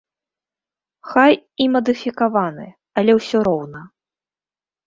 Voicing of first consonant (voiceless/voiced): voiceless